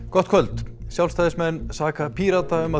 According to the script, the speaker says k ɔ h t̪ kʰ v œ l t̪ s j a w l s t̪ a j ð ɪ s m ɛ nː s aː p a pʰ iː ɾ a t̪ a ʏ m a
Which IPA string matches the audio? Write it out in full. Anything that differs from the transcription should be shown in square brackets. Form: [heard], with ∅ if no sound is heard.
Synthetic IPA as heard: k ɔ h t̪ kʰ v œ l t̪ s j a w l s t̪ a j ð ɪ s m ɛ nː s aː [k] a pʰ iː ɾ a t̪ a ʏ m a